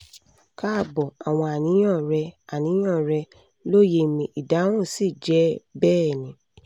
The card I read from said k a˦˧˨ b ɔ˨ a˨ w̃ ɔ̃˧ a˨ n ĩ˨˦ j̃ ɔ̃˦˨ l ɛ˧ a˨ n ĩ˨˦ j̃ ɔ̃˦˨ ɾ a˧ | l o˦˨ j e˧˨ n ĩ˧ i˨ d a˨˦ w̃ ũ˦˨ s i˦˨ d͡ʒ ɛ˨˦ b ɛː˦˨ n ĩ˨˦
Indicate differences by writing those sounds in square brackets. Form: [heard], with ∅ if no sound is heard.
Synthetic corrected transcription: k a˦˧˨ b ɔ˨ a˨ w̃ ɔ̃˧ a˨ n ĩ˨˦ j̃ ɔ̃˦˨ [ɾ] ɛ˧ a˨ n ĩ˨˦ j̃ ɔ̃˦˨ ɾ [ɛ˧] | l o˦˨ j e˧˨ [m] ĩ˧ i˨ d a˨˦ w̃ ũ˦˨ s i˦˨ d͡ʒ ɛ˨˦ b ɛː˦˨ n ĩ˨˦